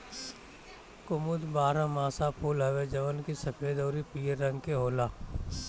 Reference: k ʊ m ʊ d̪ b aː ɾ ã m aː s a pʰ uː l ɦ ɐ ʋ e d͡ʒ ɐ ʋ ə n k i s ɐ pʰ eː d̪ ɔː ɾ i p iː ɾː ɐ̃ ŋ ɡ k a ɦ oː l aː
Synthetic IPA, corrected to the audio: k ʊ m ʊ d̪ b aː ɾ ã m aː s a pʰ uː l ɦ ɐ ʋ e d͡ʒ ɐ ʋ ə n k i s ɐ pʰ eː d̪ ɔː ɾ i p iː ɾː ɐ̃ ŋ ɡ k e ɦ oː l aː

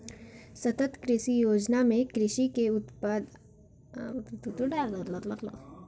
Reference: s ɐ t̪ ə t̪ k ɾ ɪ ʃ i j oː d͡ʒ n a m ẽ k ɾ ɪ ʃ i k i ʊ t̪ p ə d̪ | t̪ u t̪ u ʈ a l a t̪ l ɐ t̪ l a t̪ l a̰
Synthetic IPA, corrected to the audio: s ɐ t̪ ə t̪ k ɾ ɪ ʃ i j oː d͡ʒ n a m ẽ k ɾ ɪ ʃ i k e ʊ t̪ p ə d̪ | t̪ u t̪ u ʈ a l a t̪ l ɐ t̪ l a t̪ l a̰

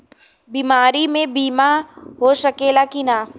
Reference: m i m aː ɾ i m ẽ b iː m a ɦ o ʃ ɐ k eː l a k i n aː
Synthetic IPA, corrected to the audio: b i m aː ɾ i m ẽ b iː m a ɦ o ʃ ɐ k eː l a k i n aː

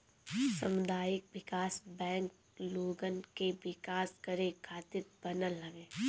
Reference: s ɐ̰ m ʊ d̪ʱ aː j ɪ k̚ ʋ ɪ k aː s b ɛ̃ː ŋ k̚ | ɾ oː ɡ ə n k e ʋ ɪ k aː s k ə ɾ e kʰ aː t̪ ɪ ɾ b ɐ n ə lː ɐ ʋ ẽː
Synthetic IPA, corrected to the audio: s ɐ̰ m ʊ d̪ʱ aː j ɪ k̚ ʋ ɪ k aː s b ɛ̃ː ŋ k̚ | l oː ɡ ə n k e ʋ ɪ k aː s k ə ɾ e kʰ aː t̪ ɪ ɾ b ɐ n ə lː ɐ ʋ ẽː

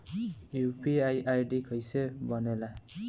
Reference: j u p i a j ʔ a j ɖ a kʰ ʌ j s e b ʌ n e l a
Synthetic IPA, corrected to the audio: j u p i a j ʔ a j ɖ i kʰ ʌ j s e b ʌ n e l a

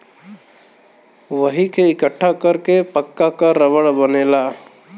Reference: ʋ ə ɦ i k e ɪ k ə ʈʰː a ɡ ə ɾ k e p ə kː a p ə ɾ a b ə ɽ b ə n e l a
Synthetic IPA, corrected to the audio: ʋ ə ɦ i k e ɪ k ə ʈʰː a k ə ɾ k e p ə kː a k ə ɾ ə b ə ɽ b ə n e l a

